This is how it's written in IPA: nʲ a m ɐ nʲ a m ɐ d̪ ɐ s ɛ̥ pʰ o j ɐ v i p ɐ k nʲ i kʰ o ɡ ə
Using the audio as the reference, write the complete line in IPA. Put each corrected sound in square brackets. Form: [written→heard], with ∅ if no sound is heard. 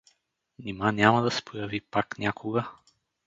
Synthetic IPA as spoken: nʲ [a→i] m [ɐ→a] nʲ a m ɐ d̪ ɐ s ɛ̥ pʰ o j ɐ v i p [ɐ→a] k nʲ [i→a] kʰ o ɡ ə